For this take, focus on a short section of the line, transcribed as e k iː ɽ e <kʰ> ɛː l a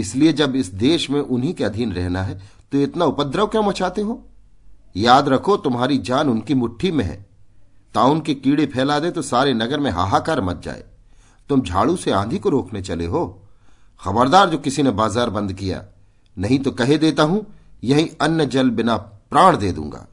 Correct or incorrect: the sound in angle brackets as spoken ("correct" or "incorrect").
incorrect